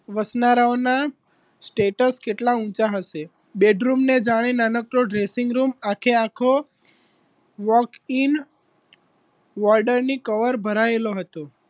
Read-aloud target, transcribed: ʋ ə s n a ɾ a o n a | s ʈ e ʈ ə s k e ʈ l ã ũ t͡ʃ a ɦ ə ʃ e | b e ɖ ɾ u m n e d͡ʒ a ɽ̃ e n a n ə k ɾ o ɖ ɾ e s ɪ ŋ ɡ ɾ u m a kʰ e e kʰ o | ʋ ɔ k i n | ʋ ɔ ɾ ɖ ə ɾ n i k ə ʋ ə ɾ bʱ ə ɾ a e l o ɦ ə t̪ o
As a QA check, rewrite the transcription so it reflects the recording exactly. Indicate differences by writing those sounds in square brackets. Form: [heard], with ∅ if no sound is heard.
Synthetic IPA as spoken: ʋ ə s n a ɾ a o n a | s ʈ e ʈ ə s k e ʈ l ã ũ t͡ʃ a ɦ ə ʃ e | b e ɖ ɾ u m n e d͡ʒ a ɽ̃ e n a n ə k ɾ o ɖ ɾ e s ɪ ŋ ɡ ɾ u m a kʰ e [a] kʰ o | ʋ ɔ k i n | ʋ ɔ ɾ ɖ ə ɾ n i k ə ʋ ə ɾ bʱ ə ɾ a e l o ɦ ə t̪ o